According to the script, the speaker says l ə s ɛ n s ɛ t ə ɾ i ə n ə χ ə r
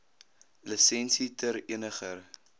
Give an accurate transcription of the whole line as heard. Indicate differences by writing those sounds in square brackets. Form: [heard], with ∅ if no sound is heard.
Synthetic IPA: l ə s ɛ n s [i] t ə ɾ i ə n ə χ ə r